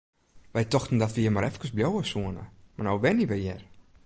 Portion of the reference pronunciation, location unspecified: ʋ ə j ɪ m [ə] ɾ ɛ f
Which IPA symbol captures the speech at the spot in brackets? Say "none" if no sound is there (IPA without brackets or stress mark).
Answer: a